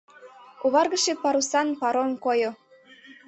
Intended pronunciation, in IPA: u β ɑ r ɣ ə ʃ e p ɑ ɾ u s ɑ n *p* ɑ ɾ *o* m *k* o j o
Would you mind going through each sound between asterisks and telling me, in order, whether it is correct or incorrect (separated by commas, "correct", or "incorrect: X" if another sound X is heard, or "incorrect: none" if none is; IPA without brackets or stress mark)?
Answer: correct, correct, correct